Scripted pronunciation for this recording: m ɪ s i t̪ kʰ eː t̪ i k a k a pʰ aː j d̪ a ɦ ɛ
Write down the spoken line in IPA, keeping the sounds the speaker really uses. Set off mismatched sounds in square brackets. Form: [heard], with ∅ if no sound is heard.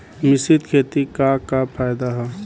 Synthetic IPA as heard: m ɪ s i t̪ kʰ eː t̪ i k a k a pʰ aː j d̪ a ɦ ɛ